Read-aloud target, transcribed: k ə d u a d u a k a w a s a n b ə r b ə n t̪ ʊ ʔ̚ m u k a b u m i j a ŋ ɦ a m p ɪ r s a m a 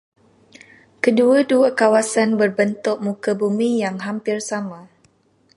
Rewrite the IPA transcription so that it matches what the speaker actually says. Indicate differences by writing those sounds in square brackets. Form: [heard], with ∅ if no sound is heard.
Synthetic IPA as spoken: k ə d u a d u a k a w a s a n b ə r b ə n t̪ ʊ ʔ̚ m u k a b u m i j a ŋ ɦ a m p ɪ r s a m a